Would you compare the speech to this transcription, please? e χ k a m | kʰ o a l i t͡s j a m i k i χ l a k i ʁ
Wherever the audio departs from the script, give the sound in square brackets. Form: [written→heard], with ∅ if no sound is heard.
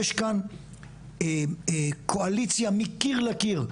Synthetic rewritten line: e [χ→ʃ] k a [m→n] | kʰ o a l i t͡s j a m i k i [χ→ʁ] l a k i ʁ